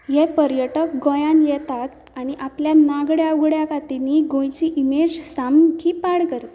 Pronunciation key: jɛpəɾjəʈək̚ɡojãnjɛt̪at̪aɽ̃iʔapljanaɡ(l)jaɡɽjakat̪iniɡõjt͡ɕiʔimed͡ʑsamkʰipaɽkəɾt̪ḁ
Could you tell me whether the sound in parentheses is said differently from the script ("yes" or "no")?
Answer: yes